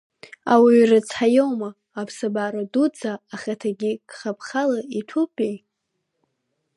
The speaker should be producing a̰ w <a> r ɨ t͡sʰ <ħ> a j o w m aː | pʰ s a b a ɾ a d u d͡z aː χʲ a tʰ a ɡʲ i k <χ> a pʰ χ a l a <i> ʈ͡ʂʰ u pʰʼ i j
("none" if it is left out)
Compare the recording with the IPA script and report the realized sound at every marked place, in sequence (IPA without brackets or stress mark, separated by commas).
i, ħ, χ, i